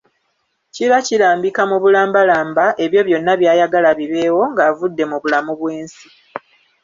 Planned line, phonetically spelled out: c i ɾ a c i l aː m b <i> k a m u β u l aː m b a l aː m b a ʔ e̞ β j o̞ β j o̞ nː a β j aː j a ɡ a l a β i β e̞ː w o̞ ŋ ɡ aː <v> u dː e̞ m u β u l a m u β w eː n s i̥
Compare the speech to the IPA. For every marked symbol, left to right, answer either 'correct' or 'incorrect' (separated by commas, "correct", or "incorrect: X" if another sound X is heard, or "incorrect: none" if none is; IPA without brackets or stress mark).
correct, correct